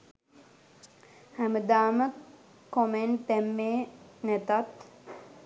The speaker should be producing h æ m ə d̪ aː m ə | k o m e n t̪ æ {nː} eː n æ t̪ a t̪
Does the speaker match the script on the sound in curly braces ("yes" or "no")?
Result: no